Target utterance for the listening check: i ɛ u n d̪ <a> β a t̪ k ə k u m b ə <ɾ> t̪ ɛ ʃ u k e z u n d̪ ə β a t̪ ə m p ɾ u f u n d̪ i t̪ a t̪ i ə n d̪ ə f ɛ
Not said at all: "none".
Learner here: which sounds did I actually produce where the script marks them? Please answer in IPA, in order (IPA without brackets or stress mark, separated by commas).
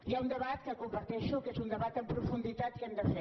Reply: ə, ɾ